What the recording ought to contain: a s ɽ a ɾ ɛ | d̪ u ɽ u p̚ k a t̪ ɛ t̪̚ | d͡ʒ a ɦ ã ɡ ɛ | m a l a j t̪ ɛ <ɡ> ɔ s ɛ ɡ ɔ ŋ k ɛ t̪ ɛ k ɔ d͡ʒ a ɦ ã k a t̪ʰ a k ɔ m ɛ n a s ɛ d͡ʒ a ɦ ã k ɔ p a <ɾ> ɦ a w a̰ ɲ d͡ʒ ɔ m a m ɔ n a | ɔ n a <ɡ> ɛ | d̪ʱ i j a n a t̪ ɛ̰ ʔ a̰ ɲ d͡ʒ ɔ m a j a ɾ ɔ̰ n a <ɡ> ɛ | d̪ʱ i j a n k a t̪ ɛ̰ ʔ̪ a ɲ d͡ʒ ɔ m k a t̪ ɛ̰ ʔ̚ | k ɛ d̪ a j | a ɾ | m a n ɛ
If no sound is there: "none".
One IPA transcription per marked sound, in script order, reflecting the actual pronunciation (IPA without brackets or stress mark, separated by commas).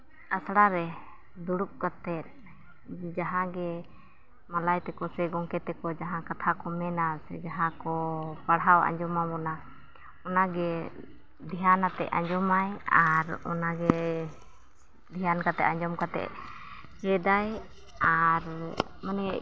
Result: k, ɽ, ɡ, ɡ